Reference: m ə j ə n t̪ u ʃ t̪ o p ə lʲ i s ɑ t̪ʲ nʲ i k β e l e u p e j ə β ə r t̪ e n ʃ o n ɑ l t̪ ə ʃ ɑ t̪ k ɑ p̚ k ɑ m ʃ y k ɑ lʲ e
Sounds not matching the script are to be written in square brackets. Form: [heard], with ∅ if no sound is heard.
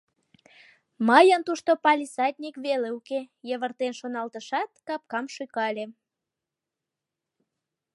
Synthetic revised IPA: m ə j ə n t̪ u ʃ t̪ o p [ɑ] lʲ i s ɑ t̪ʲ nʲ i k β e l e u [k] e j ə β ə r t̪ e n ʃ o n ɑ l t̪ ə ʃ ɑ t̪ k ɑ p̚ k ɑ m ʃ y k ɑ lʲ e